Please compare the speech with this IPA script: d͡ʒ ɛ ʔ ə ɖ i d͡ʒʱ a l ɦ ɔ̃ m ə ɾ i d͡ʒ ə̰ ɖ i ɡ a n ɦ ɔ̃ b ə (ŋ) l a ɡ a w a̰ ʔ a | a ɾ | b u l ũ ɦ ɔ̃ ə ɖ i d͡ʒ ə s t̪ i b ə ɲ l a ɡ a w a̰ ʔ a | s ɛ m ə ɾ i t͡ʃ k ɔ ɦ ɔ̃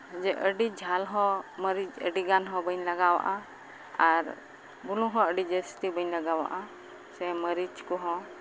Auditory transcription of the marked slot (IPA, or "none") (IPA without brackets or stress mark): ɲ